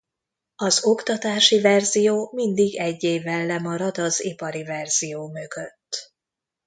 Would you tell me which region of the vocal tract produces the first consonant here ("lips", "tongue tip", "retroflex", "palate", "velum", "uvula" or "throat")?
tongue tip